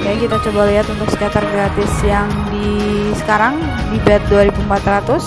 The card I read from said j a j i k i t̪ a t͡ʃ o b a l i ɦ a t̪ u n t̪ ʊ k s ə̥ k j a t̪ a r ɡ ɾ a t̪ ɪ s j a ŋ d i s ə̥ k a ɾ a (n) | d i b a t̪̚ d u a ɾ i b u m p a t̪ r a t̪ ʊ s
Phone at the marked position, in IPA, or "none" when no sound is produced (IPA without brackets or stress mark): ŋ